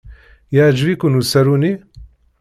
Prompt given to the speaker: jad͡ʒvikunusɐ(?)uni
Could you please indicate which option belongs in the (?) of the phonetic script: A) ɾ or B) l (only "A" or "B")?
A